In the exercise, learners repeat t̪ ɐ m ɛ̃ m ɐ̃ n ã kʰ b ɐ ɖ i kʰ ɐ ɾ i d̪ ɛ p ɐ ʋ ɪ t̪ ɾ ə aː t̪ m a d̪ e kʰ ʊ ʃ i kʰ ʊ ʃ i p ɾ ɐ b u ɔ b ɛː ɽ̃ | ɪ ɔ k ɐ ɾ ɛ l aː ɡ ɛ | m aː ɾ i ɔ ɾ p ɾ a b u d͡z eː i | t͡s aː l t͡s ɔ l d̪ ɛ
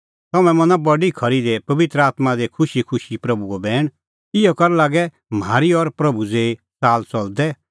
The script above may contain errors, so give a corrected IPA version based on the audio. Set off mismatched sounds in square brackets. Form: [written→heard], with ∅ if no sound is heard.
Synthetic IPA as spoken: t̪ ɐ m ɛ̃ m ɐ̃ n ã [kʰ→∅] b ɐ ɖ i kʰ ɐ ɾ i d̪ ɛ p ɐ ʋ ɪ t̪ ɾ ə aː t̪ m a d̪ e kʰ ʊ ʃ i kʰ ʊ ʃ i p ɾ ɐ b u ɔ b ɛː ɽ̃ | ɪ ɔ k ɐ ɾ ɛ l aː ɡ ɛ | m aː ɾ i ɔ ɾ p ɾ [a→ɐ] b u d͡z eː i | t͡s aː l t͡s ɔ l d̪ ɛ

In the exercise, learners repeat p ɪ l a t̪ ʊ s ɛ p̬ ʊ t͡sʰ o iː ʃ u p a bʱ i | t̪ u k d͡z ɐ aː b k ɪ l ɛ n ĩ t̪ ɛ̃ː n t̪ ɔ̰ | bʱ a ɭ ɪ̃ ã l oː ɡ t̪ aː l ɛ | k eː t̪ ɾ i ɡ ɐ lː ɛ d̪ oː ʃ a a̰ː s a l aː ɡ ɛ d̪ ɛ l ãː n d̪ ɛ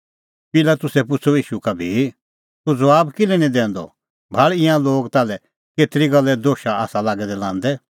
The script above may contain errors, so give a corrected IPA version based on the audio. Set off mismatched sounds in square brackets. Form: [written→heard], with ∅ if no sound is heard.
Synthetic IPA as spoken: p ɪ l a t̪ ʊ s ɛ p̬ ʊ t͡sʰ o iː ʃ u [p→k] a bʱ i | t̪ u [k→∅] d͡z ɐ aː b k ɪ l ɛ n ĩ [t̪→d̪] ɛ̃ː n [t̪→d̪] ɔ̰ | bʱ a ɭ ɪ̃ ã l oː ɡ t̪ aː l ɛ | k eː t̪ ɾ i ɡ ɐ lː ɛ d̪ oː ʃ a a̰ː s a l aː ɡ ɛ d̪ ɛ l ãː n d̪ ɛ

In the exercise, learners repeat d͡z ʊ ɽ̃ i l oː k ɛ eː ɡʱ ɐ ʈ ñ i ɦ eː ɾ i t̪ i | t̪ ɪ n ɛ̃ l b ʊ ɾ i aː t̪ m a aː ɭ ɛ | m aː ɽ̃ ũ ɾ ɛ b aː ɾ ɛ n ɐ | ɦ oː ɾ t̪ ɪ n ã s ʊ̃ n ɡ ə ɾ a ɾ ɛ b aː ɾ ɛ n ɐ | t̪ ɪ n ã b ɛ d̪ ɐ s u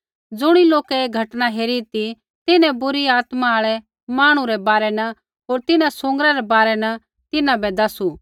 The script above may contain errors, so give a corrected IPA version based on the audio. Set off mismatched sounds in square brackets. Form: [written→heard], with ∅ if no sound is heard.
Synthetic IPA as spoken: d͡z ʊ ɽ̃ i l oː k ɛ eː ɡʱ ɐ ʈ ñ [i→a] ɦ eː ɾ i t̪ i | t̪ ɪ n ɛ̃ [l→∅] b ʊ ɾ i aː t̪ m a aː ɭ ɛ | m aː ɽ̃ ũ ɾ ɛ b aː ɾ ɛ n ɐ | ɦ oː ɾ t̪ ɪ n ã s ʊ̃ [n→ŋ] ɡ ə ɾ a ɾ ɛ b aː ɾ ɛ n ɐ | t̪ ɪ n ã b ɛ d̪ ɐ s u

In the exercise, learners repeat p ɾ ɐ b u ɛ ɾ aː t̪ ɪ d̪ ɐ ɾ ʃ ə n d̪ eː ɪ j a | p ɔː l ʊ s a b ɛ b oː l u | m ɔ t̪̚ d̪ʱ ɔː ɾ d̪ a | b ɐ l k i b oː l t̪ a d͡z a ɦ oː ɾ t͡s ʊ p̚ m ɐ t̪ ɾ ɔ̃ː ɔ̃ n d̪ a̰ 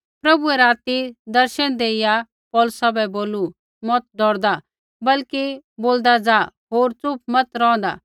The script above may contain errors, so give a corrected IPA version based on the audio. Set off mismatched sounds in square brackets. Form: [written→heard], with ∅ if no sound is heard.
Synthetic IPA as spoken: p ɾ ɐ b u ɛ ɾ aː t̪ [ɪ→i] d̪ ɐ ɾ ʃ ə n d̪ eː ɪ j a | p ɔː l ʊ s a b ɛ b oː l u | m ɔ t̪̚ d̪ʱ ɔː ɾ d̪ a | b ɐ l k i b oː l [t̪→d̪] a d͡z a ɦ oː ɾ t͡s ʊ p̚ m ɐ t̪ ɾ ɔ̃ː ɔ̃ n d̪ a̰

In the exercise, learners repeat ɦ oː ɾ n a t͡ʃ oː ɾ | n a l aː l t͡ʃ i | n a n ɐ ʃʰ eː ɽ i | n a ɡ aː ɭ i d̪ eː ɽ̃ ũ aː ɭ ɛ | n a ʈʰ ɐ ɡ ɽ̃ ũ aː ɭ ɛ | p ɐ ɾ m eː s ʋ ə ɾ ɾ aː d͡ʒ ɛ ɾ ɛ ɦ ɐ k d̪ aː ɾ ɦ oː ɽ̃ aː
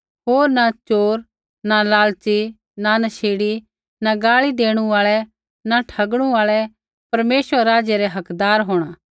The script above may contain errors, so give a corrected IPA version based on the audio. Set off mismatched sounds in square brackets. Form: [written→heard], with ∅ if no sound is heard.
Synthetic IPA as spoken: ɦ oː ɾ n a t͡ʃ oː ɾ | n a l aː l t͡ʃ i | n a n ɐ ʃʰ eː ɽ i | n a ɡ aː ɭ i d̪ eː ɽ̃ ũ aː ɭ ɛ | n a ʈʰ ɐ ɡ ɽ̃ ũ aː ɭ ɛ | p ɐ ɾ m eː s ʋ ə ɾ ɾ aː d͡ʒ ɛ ɾ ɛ ɦ ɐ k d̪ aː ɾ ɦ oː ɽ̃ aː

